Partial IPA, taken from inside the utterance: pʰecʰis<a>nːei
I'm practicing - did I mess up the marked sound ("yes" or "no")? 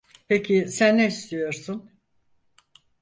yes